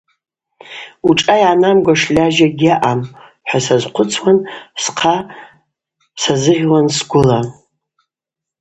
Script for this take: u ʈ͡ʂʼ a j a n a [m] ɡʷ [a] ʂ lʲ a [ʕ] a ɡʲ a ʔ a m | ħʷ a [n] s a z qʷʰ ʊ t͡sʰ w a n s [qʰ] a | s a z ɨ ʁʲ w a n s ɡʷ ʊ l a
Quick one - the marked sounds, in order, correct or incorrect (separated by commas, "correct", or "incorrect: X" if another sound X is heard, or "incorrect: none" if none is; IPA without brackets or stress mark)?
correct, correct, incorrect: ʒ, incorrect: none, correct